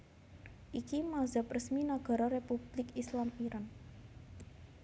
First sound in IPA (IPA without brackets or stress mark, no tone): ʔ